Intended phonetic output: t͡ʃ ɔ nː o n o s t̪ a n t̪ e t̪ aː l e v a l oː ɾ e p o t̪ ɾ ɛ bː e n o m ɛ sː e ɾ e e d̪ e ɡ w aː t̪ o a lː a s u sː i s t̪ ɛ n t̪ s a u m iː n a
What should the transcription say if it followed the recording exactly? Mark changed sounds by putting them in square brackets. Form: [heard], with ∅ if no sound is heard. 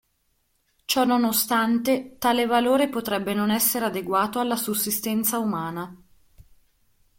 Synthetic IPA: t͡ʃ ɔ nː o n o s t̪ a n t̪ e t̪ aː l e v a l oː ɾ e p o t̪ ɾ ɛ bː e n o [n] ɛ sː e ɾ e [a] d̪ e ɡ w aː t̪ o a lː a s u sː i s t̪ ɛ n t̪ s a u m [aː] n a